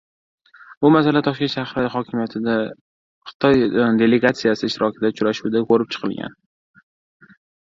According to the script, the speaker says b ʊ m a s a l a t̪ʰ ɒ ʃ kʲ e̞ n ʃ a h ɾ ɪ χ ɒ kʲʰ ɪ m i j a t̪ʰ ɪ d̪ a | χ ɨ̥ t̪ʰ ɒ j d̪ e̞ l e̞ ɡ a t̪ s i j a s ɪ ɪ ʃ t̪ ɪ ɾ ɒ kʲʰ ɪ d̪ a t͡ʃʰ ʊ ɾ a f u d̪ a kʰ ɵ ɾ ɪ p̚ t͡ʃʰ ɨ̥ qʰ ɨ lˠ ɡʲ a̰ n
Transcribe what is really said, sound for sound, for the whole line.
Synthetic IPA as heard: b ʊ m a s a l a t̪ʰ ɒ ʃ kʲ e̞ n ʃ a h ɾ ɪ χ ɒ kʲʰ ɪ m i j a t̪ʰ ɪ d̪ a | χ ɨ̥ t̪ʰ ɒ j d̪ e̞ l e̞ ɡ a t̪ s i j a s ɪ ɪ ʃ t̪ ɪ ɾ ɒ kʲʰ ɪ d̪ a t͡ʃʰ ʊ ɾ a ʃ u d̪ a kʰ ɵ ɾ ɪ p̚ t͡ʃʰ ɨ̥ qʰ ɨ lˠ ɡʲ a̰ n